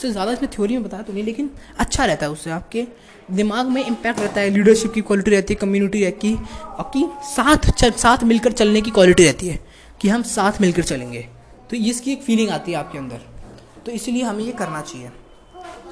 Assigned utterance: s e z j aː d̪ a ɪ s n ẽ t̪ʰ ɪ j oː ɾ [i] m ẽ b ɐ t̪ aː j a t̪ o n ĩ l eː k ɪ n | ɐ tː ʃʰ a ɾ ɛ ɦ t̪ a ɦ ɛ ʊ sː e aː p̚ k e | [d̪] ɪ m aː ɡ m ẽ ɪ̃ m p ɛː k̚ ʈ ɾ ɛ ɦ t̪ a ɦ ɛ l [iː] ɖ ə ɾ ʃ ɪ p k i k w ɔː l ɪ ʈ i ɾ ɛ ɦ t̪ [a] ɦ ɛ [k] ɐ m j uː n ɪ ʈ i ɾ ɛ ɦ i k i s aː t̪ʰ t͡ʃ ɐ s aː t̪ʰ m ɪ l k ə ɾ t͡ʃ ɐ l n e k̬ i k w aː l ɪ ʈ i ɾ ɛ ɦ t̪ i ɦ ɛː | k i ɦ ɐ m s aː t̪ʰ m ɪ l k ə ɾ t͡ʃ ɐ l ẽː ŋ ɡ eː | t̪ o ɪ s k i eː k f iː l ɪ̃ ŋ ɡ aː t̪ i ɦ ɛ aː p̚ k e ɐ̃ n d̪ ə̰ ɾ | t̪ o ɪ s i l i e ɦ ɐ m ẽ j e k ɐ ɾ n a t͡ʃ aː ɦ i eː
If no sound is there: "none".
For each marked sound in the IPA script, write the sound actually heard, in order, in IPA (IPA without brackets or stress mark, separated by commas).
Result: i, d̪, iː, i, k